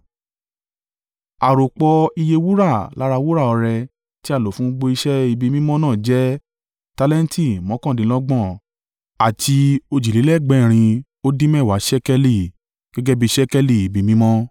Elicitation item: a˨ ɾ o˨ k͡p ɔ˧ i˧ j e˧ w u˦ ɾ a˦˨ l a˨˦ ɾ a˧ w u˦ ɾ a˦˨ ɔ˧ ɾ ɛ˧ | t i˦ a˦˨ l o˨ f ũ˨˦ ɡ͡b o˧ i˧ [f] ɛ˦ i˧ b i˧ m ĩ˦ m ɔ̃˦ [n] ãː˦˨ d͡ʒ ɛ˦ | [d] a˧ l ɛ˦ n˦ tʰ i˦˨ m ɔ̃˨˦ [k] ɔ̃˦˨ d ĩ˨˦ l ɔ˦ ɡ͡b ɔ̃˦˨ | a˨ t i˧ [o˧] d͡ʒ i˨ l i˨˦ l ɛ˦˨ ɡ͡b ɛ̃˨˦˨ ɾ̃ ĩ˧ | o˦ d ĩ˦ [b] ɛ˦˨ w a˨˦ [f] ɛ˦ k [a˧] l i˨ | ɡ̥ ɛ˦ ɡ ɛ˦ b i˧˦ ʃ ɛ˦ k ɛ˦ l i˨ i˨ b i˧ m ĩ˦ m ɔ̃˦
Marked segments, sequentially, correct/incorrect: incorrect, correct, incorrect, correct, correct, incorrect, incorrect, incorrect

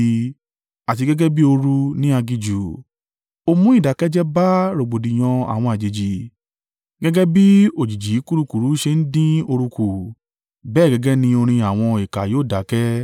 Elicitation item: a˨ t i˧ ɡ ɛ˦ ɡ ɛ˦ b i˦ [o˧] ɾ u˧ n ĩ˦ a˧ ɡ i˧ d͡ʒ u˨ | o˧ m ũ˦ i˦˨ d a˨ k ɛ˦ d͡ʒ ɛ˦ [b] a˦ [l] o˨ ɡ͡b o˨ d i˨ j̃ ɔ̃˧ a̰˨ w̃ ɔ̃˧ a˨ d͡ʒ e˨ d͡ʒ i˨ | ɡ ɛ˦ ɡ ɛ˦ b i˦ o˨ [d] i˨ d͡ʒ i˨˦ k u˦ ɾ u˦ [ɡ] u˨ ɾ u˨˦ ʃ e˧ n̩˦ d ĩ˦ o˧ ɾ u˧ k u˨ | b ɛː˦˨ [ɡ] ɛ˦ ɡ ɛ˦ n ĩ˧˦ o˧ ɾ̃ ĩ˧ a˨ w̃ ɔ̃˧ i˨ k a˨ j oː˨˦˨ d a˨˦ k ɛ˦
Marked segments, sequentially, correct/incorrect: correct, correct, incorrect, incorrect, incorrect, correct

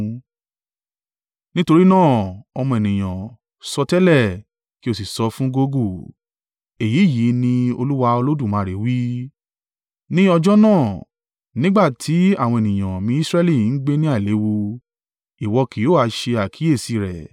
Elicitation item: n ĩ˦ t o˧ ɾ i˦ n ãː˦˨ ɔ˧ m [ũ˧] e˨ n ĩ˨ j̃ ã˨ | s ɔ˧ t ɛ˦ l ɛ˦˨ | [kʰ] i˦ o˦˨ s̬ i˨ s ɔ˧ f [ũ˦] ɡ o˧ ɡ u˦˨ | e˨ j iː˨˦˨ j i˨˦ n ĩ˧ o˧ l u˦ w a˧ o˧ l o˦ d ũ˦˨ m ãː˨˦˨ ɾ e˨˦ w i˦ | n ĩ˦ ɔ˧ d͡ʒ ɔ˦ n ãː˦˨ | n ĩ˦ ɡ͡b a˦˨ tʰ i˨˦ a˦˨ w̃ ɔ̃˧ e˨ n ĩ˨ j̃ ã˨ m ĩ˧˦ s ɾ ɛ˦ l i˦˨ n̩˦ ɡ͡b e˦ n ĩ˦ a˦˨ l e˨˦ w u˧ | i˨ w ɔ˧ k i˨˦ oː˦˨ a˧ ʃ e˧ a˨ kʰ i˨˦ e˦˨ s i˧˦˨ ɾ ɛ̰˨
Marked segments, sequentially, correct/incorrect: incorrect, incorrect, correct

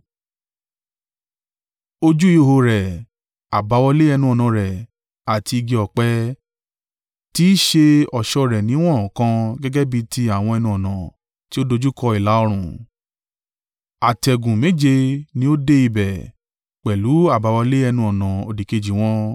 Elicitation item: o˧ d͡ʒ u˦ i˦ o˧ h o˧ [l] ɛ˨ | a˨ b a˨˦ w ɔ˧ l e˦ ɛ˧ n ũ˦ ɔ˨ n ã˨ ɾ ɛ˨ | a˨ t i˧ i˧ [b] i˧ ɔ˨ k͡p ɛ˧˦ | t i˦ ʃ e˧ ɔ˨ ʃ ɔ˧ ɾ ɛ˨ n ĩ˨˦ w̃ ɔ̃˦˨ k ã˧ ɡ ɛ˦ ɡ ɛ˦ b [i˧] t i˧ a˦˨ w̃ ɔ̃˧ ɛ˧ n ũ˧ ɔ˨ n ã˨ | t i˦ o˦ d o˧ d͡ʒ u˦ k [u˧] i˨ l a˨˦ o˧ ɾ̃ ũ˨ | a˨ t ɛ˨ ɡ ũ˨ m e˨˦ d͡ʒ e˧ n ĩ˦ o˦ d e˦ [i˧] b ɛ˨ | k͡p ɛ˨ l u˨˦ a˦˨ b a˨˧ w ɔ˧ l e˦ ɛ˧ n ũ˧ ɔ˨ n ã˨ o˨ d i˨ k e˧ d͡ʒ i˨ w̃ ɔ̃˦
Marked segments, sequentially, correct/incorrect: incorrect, incorrect, correct, incorrect, correct

